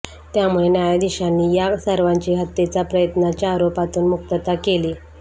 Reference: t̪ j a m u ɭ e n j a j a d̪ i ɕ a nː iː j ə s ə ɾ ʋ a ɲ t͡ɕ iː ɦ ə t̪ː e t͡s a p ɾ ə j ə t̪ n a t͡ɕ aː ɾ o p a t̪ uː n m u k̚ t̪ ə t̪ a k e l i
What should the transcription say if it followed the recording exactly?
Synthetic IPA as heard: t̪ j a m u ɭ e n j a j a d̪ i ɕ a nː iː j a s ə ɾ ʋ a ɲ t͡ɕ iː ɦ ə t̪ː e t͡s a p ɾ ə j ə t̪ n a t͡ɕ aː ɾ o p a t̪ uː n m u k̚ t̪ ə t̪ a k e l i

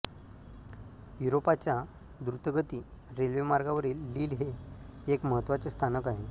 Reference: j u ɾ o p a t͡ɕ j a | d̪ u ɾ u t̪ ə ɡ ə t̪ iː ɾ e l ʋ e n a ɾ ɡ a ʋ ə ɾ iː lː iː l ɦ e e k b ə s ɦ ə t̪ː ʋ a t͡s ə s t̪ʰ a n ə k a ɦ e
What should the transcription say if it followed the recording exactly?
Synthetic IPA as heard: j u ɾ o p a t͡ɕ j a | d̪ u ɾ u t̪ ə ɡ ə t̪ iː ɾ e l ʋ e m a ɾ ɡ a ʋ ə ɾ iː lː iː l ɦ e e k m ə ɦ ə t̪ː ʋ a t͡s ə s t̪ʰ a n ə k a ɦ e

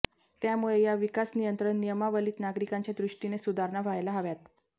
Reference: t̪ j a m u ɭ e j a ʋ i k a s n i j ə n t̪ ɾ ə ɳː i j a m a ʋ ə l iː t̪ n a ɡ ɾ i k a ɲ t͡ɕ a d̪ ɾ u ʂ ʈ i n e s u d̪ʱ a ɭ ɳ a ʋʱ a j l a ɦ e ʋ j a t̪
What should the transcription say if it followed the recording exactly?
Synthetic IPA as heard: t̪ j a m u ɭ e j a ʋ i k a s n i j ə n t̪ ɾ ə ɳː i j ə m a ʋ ə l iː t̪ n a ɡ ɾ i k a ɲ t͡ɕ a d̪ ɾ u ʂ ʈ i n e s u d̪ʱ a ɾ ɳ a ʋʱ a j l a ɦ a ʋ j a t̪

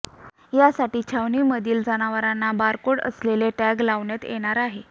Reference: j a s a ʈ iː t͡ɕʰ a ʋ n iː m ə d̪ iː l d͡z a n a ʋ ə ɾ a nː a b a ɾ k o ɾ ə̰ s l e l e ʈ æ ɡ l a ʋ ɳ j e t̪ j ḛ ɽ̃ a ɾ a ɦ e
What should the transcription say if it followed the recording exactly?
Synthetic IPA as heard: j a s a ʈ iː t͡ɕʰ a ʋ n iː m ə d̪ iː l d͡z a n a ʋ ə ɾ a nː a b a ɾ k o ɽ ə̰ s l e l e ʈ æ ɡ l a ʋ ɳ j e t̪ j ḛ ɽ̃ a ɾ a ɦ e

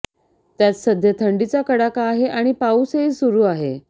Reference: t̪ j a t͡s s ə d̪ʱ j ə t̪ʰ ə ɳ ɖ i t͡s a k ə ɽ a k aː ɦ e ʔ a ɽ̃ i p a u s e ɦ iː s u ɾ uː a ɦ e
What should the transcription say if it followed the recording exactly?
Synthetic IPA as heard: t̪ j a t͡s s ə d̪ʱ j ə t̪ʰ ə ɳ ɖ i t͡s a k ə ɽ a k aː ɦ e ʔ a ɽ̃ i p a u s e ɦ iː s u ɾ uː a ɦ e

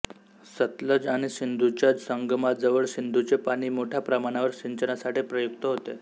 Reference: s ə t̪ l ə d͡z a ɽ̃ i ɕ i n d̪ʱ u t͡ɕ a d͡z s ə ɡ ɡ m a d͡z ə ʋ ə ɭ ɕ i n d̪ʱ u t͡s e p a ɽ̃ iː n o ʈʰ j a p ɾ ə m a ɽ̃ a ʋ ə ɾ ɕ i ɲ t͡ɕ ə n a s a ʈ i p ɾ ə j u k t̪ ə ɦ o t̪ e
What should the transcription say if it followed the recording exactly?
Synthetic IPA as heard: s ə t̪ l ə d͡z a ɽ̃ i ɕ i n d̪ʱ u t͡ɕ a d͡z s ə ŋ ɡ m a d͡z ə ʋ ə ɭ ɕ i n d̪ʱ u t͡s e p a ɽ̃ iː m o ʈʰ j a p ɾ ə m a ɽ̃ a ʋ ə ɾ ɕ i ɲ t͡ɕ ə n a s a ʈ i p ɾ ə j u k t̪ ə ɦ o t̪ e

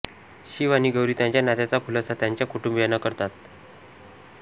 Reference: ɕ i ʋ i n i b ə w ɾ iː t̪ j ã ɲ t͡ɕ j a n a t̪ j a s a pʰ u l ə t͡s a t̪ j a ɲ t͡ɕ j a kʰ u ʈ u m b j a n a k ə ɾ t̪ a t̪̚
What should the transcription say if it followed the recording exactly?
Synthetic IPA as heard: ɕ i ʋ a n i ɡ ə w ɾ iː t̪ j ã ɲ t͡ɕ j a n a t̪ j a t͡s a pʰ u l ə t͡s a t̪ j a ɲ t͡ɕ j a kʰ u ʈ u m b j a n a k ə ɾ t̪ a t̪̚

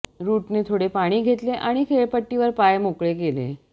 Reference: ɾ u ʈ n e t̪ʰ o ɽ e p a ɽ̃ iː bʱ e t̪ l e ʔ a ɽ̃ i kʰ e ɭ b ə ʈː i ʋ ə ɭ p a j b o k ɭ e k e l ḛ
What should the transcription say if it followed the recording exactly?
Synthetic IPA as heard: ɾ u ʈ n e t̪ʰ o ɽ e p a ɽ̃ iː ɡʱ e t̪ l e ʔ a ɽ̃ i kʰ e ɭ p ə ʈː i ʋ ə ɾ p a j m o k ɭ e k e l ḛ

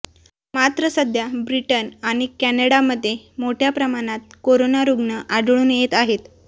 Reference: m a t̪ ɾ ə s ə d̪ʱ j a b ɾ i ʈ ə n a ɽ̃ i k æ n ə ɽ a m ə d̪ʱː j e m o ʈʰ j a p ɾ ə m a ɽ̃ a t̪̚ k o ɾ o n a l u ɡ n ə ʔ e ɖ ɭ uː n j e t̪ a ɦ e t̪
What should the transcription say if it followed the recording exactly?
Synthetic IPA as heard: m a t̪ ɾ ə s ə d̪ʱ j a b ɾ i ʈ ə n a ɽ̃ i k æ n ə ɽ a m ə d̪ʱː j e m o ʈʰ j a p ɾ ə m a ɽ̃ a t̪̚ k o ɾ o n a ɾ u ɡ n ə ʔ a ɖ ɭ uː n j e t̪ a ɦ e t̪

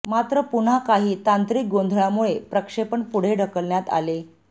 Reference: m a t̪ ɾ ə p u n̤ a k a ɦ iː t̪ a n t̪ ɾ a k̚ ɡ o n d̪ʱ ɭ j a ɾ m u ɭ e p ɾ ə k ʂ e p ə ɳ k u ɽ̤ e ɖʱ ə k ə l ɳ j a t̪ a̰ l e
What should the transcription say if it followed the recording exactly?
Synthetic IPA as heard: m a t̪ ɾ ə p u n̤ a k a ɦ iː t̪ a n t̪ ɾ i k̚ ɡ o n d̪ʱ ɭ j a m u ɭ e p ɾ ə k ʂ e p ə ɳ p u ɽ̤ e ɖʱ ə k ə l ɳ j a t̪ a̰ l e

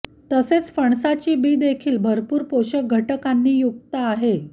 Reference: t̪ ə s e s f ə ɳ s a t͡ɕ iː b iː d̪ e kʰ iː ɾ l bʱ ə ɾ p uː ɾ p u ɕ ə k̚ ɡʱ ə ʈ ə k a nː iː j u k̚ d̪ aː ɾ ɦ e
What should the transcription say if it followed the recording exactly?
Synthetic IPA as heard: t̪ ə s e t͡s f ə ɳ s a t͡ɕ iː b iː d̪ e kʰ iː l bʱ ə ɾ p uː ɾ p o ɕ ə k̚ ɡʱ ə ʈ ə k a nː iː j u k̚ t̪ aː ɦ e

